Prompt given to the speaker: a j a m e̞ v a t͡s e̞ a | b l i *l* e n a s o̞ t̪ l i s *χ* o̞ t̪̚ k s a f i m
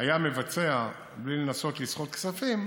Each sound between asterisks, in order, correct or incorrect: correct, correct

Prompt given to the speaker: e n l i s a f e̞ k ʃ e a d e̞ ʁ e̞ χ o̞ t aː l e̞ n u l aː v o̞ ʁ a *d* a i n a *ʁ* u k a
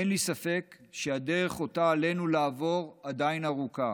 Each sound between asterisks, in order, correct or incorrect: correct, correct

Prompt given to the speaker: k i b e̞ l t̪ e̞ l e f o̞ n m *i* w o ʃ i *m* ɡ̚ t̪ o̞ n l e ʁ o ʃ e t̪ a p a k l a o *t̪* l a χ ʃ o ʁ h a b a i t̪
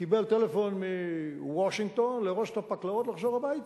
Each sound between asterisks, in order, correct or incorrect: correct, incorrect: ŋ, correct

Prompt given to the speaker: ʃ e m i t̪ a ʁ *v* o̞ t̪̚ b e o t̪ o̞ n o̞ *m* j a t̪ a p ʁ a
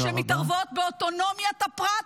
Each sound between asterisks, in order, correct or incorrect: correct, correct

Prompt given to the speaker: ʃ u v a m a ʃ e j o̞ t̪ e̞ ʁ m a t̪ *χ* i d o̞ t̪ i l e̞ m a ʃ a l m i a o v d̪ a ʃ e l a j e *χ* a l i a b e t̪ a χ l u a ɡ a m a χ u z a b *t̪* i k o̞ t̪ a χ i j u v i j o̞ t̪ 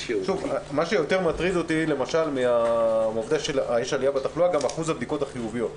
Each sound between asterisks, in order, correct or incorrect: incorrect: ʁ, incorrect: ʃ, incorrect: d̪

